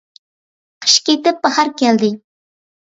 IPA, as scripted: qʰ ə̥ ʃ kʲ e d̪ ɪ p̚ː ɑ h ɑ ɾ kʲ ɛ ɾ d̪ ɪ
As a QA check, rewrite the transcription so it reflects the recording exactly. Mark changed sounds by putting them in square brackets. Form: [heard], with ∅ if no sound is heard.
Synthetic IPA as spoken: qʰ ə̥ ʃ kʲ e [t̪] ɪ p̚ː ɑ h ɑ ɾ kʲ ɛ [l] d̪ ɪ